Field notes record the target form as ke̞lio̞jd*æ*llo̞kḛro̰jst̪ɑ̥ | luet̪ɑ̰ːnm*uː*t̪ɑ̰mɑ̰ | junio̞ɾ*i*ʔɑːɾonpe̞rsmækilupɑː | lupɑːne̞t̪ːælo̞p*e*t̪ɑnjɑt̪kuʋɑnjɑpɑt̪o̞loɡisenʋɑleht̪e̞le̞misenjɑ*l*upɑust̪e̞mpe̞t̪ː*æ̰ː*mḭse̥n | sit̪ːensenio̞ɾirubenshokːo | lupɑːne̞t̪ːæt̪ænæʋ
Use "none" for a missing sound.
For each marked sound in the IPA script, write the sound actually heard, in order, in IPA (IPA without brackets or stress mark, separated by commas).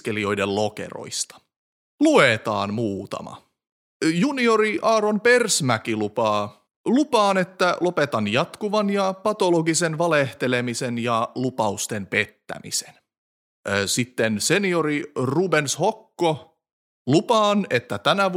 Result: e, uː, i, e, l, æ̰